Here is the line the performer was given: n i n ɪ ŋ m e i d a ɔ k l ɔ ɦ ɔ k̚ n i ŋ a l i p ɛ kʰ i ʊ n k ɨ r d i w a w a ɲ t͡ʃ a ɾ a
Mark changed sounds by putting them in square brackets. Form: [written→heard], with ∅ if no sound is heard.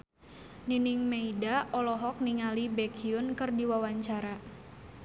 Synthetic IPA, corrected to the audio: n i n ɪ ŋ m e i d a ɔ [k→∅] l ɔ ɦ ɔ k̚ n i ŋ a l i [p→b] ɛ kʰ i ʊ n k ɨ r d i w a w a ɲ t͡ʃ a ɾ a